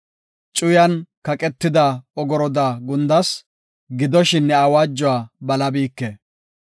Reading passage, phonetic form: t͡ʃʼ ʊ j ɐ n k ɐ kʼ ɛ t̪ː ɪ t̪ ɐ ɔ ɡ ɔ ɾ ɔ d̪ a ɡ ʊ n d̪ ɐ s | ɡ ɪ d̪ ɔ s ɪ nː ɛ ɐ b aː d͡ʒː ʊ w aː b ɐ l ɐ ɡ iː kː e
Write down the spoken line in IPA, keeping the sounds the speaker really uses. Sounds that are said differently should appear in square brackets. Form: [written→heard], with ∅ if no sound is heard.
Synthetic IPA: t͡ʃʼ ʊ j ɐ n k ɐ kʼ ɛ t̪ː ɪ [t̪→d̪] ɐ ɔ ɡ ɔ ɾ ɔ d̪ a ɡ ʊ n d̪ ɐ s | ɡ ɪ d̪ ɔ [s→ʃ] ɪ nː ɛ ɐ [b→w] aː d͡ʒː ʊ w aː b ɐ l ɐ [ɡ→b] iː kː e